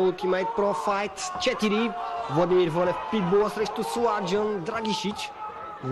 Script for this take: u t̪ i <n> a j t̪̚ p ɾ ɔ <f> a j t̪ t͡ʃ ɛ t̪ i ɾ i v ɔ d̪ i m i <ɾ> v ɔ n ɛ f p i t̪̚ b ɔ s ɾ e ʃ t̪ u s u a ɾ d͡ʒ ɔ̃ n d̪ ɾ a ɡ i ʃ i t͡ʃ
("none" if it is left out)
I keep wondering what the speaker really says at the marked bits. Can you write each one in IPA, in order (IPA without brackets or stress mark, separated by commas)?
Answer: m, f, ɾ